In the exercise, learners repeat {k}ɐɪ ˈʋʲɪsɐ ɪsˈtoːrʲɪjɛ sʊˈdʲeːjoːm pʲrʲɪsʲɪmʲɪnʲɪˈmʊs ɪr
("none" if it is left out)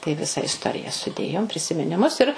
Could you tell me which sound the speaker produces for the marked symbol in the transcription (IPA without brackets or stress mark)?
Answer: t